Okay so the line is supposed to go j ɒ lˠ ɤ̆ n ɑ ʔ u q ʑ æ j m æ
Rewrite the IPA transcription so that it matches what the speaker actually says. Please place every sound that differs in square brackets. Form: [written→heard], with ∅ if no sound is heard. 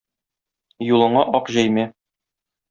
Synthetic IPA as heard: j [ɒ→u] lˠ ɤ̆ [n→ɴ] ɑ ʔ [u→ɒ] q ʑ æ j m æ